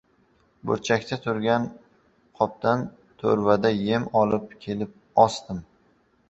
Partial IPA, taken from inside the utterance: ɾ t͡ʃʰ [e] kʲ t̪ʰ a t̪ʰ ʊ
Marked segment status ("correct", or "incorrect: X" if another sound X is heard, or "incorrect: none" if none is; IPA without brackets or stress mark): incorrect: a